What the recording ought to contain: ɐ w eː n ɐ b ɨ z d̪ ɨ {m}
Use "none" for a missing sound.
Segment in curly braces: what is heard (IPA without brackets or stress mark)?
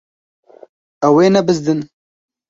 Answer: n